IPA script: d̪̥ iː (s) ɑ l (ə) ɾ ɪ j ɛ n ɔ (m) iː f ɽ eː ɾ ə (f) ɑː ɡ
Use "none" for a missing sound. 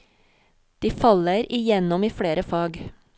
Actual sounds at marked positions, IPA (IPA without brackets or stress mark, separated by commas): f, ə, m, f